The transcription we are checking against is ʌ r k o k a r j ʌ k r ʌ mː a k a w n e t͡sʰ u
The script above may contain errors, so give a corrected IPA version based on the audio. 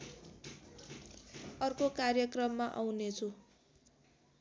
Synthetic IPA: ʌ r k o k a r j ʌ k r ʌ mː a ʔ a w n e t͡sʰ u